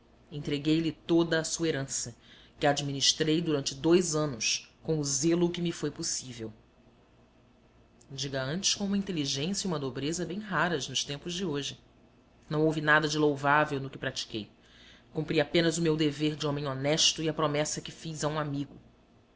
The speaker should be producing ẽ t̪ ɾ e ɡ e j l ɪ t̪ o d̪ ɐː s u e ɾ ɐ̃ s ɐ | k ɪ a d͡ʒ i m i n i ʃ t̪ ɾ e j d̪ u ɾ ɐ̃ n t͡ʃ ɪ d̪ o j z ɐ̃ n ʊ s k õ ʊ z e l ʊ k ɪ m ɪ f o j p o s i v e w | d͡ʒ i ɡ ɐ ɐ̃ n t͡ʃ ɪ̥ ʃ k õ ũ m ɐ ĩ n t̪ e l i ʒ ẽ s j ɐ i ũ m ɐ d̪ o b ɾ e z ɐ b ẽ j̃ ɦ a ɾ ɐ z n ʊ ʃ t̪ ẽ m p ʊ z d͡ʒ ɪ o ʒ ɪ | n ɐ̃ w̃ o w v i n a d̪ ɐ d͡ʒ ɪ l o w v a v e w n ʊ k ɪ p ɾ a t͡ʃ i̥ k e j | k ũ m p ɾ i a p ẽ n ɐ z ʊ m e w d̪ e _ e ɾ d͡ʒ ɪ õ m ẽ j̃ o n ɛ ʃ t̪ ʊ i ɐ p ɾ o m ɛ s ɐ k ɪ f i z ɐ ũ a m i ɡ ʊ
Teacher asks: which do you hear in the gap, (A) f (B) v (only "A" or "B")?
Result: B